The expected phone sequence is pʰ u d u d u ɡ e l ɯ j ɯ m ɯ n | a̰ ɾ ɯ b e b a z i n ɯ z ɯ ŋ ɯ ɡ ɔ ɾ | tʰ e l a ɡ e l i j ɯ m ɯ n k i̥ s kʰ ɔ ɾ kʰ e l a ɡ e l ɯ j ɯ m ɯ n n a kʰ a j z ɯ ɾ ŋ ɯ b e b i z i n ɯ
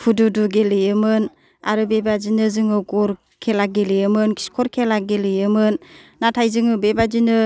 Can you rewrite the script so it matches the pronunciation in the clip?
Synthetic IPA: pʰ u d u d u ɡ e l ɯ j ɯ m ɯ n | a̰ ɾ ɯ b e b a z i n ɯ z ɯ ŋ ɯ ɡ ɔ ɾ | kʰ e l a ɡ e l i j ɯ m ɯ n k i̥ s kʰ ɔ ɾ kʰ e l a ɡ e l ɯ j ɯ m ɯ n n a tʰ a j z ɯ ŋ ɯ b e b a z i n ɯ